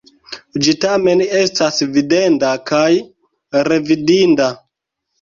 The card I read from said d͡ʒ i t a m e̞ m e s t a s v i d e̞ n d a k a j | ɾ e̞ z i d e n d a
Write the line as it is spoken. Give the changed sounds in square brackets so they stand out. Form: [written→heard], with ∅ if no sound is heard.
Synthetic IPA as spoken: d͡ʒ i t a m e̞ [m→n] e s t a s v i d e̞ n d a k a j | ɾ e̞ [z→v] i d [e→i] n d a